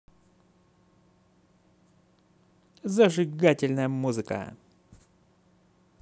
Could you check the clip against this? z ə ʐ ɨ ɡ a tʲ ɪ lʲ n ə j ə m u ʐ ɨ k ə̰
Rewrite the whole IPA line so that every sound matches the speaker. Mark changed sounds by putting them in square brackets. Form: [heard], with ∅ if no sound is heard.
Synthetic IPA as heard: z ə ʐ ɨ ɡ a tʲ ɪ lʲ n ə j ə m u [z] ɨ k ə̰